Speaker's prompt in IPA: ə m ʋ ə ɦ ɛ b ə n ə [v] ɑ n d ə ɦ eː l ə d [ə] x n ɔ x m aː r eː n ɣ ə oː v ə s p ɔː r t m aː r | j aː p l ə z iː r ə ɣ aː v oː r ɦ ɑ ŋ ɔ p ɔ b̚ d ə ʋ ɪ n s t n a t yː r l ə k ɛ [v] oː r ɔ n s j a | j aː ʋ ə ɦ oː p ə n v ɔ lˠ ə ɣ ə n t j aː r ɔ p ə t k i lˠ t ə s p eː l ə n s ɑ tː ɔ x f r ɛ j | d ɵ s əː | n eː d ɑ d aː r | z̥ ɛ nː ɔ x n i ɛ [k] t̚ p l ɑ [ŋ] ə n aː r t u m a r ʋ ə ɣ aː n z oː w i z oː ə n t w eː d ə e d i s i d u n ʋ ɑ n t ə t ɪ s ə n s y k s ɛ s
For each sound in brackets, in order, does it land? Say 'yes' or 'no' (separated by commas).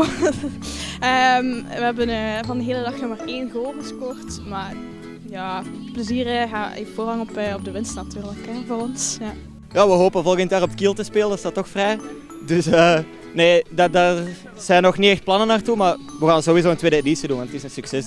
yes, no, yes, no, no